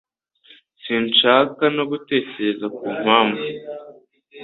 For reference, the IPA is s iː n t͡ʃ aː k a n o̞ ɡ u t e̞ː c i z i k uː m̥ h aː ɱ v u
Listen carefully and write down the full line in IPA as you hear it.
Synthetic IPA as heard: s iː n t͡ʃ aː k a n o̞ ɡ u t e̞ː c e z a k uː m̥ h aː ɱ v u